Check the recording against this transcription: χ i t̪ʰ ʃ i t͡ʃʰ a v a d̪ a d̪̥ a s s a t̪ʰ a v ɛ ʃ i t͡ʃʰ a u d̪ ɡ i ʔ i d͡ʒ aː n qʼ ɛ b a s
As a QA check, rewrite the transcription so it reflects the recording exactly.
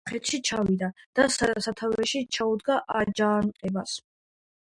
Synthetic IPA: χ ɛ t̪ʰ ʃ i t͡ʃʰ a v i d̪ a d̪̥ a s s a t̪ʰ a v ɛ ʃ i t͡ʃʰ a u d̪ ɡ a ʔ a d͡ʒ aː n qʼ ɛ b a s